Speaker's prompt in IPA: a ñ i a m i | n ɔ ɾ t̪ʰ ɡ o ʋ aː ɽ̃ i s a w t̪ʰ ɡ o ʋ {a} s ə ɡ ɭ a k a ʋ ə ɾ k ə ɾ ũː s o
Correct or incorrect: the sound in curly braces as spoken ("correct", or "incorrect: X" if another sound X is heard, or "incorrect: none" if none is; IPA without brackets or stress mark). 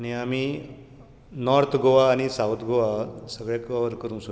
correct